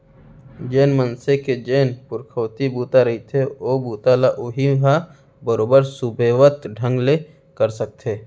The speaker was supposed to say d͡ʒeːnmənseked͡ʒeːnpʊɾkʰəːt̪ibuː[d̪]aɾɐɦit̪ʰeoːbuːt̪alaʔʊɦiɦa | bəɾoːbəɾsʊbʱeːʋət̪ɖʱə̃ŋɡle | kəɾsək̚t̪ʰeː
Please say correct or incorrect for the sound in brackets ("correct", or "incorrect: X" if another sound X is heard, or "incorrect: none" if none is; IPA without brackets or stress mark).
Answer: incorrect: t̪